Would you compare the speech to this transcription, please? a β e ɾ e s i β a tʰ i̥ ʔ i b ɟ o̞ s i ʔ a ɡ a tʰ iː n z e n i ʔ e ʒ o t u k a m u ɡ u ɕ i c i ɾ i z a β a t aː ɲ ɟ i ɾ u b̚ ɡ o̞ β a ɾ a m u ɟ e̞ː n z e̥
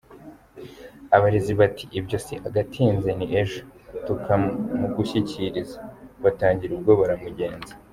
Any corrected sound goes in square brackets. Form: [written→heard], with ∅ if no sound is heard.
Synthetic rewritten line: a β [e→a] ɾ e [s→z] i β a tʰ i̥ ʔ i b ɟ o̞ s i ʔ a ɡ a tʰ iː n z e n i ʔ e ʒ o t u k a m u ɡ u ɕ i c i ɾ i z a β a t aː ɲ ɟ i ɾ u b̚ ɡ o̞ β a ɾ a m u ɟ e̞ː n z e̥